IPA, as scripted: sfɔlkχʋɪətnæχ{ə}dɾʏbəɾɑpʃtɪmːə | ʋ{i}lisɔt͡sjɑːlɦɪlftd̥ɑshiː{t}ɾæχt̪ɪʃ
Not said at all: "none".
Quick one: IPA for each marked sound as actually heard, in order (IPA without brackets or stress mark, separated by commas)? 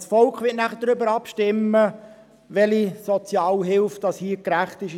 ə, ɛ, k